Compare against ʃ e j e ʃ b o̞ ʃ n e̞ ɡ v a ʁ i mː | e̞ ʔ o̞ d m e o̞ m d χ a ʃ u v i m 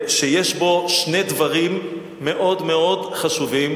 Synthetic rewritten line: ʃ e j e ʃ b o̞ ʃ n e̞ d v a ʁ i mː | e̞ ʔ o̞ d m e o̞ d χ a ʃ u v i m